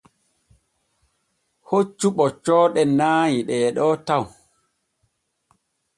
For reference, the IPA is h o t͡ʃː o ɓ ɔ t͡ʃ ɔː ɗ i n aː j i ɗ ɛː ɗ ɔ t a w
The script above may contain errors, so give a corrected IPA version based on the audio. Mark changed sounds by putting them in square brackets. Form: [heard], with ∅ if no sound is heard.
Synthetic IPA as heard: h o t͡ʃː [u] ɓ ɔ t͡ʃ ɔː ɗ [ɛ] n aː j i ɗ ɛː ɗ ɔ t a w